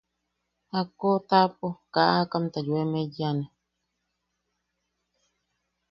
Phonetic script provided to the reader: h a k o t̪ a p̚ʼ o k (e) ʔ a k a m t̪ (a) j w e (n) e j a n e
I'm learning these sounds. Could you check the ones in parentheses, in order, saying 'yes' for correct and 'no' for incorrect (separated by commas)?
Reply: no, yes, no